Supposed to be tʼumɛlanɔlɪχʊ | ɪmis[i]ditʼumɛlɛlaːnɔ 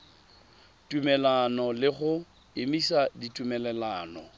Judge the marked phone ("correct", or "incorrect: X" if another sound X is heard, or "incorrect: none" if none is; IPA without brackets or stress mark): incorrect: a